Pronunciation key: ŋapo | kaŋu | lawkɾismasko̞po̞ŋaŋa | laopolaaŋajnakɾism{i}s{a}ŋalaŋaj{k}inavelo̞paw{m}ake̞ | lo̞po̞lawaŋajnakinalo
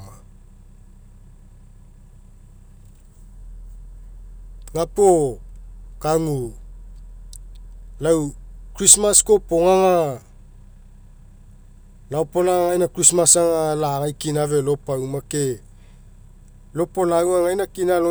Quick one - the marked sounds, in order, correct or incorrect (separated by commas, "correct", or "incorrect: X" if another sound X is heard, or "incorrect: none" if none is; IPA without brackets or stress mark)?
incorrect: a, correct, correct, correct